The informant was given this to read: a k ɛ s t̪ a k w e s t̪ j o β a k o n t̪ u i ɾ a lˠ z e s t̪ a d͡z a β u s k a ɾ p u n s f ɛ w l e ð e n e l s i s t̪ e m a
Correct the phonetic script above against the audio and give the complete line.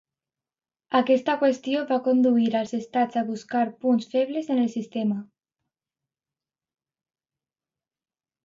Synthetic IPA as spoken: a k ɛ s t̪ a k w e s t̪ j o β a k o n d̪ u i ɾ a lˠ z e s t̪ a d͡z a β u s k a ɾ p u n s f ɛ β l e z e n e l s i s t̪ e m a